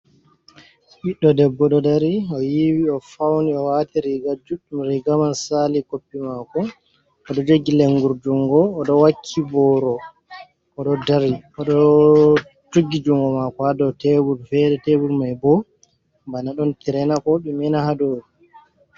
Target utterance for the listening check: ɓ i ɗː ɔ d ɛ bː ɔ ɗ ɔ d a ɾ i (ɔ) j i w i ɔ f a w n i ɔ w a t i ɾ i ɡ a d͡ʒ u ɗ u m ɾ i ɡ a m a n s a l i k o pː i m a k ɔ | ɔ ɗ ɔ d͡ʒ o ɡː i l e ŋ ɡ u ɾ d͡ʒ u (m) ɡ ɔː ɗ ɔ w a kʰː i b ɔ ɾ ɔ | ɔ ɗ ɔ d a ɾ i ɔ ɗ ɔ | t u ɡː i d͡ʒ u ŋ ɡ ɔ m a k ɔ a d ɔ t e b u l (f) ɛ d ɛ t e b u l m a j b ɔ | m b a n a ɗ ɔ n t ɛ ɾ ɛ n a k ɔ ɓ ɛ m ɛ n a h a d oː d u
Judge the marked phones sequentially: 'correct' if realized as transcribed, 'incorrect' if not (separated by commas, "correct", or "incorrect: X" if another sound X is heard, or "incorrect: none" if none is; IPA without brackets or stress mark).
correct, incorrect: ŋ, correct